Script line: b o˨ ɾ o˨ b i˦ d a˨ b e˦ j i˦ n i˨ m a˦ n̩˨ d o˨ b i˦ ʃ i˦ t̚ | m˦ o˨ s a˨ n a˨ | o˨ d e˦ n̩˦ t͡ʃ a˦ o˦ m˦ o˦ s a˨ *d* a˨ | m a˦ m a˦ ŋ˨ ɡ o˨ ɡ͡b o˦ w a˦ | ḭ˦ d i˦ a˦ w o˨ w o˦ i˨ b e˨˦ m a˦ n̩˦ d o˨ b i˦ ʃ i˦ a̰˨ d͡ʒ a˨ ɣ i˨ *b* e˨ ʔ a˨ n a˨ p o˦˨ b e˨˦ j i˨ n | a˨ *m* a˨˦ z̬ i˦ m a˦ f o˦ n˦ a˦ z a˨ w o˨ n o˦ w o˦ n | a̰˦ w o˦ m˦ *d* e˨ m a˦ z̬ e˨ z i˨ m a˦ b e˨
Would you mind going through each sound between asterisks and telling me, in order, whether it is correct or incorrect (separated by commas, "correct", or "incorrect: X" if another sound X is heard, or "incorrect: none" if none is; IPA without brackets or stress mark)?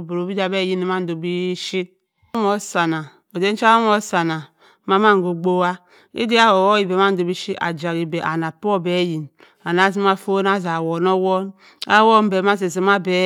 incorrect: n, correct, incorrect: n, incorrect: b